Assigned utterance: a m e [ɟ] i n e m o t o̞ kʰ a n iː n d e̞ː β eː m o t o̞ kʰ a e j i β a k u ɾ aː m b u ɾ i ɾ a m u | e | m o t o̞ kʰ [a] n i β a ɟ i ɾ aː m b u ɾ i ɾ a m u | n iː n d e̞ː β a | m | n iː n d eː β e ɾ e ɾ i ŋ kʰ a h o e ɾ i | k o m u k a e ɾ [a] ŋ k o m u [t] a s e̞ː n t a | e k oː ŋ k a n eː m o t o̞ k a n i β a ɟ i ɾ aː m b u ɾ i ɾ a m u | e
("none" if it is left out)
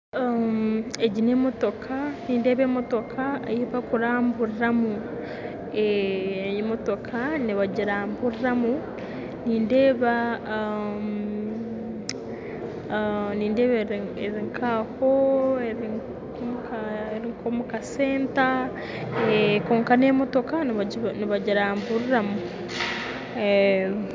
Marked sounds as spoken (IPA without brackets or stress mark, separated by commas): ɟ, a, i, k